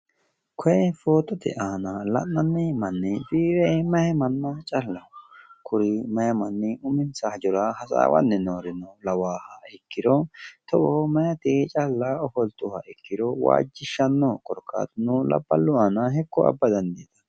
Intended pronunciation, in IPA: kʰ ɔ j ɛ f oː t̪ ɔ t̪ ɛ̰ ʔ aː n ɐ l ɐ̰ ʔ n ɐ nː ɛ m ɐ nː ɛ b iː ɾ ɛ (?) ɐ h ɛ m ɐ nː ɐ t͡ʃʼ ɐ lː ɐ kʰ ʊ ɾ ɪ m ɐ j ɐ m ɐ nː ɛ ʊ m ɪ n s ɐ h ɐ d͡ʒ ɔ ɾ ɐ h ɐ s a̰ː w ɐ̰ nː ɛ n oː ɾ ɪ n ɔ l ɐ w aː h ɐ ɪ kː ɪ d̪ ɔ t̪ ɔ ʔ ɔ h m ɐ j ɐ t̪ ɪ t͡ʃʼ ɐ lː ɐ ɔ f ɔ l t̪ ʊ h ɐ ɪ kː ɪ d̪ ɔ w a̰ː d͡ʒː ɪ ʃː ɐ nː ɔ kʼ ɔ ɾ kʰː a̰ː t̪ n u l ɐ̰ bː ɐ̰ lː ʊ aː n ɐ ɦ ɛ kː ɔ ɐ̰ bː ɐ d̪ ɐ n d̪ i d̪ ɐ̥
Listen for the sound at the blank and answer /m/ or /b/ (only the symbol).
m